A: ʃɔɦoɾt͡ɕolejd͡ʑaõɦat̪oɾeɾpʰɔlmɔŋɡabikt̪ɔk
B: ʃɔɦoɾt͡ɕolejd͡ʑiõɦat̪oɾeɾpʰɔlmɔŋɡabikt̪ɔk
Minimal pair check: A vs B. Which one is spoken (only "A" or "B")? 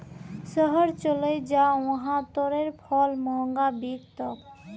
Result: A